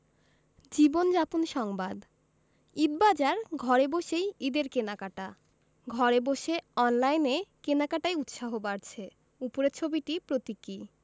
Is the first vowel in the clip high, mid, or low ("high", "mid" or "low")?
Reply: high